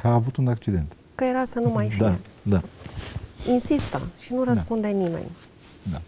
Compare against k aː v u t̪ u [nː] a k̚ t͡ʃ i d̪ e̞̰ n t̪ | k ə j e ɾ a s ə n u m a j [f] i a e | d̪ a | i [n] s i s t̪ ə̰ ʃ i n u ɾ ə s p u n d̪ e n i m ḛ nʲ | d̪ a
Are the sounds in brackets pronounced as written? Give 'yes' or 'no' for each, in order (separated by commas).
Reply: no, yes, yes